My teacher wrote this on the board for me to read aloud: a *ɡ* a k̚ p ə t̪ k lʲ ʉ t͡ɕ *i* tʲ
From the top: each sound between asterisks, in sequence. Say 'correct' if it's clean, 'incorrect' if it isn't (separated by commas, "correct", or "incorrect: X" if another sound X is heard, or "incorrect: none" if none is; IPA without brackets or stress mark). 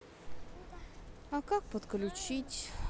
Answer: incorrect: k, correct